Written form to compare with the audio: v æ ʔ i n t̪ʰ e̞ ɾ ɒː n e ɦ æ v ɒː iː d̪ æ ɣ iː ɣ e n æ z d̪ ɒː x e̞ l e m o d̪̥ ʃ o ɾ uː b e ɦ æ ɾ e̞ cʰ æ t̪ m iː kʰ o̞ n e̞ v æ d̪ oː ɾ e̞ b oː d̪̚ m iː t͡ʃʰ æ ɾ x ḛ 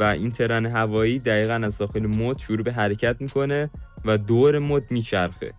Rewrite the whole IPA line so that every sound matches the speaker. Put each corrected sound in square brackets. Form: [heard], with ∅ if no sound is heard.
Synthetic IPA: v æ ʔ i n t̪ʰ e̞ ɾ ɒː n e ɦ æ v ɒː iː d̪ æ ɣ iː ɣ [æ] n æ z d̪ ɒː x e̞ l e m o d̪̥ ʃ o ɾ uː b e ɦ æ ɾ e̞ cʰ æ t̪ m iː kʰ o̞ n e̞ v æ d̪ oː ɾ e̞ [m] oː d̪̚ m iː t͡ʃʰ æ ɾ x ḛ